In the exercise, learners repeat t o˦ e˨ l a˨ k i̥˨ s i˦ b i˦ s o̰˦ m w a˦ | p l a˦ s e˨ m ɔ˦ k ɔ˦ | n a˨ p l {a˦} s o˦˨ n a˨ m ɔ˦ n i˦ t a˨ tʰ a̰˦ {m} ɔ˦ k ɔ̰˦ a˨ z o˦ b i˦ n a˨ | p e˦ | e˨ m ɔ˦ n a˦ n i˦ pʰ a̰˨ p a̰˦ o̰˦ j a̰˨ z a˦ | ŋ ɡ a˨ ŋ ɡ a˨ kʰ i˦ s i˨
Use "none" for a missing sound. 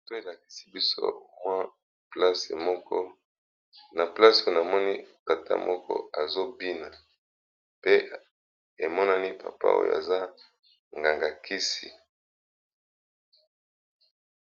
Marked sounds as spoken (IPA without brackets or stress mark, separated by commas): a˦, m